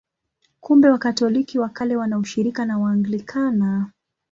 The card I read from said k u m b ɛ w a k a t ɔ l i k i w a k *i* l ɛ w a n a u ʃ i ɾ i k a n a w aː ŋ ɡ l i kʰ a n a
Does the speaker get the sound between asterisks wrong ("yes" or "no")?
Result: yes